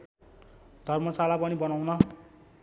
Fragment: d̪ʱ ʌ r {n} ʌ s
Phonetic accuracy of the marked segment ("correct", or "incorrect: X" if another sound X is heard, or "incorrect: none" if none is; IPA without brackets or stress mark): incorrect: m